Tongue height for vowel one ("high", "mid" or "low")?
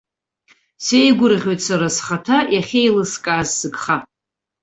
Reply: mid